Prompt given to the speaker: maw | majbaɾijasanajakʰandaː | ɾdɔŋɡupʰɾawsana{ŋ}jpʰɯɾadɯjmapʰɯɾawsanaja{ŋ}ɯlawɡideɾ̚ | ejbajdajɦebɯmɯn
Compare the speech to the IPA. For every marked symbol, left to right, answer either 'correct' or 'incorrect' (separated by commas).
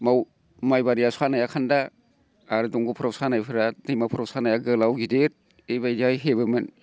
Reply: incorrect, incorrect